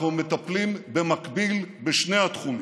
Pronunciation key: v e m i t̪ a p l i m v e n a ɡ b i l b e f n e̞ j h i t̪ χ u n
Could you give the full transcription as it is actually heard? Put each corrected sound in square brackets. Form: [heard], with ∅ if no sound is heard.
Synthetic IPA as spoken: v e m [e] t̪ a p l i m [b] e [m] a [k] b i l b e [ʃ] n e̞ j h [a] t̪ χ u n